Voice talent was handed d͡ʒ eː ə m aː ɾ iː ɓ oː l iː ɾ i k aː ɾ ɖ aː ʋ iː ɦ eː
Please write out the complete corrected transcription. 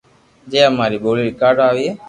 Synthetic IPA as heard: d͡ʒ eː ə m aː ɾ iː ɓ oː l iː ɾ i k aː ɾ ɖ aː ʋ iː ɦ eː